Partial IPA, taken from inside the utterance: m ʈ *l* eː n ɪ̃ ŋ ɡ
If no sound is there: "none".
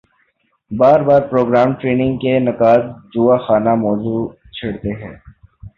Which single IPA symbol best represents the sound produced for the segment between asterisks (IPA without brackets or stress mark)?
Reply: ɾ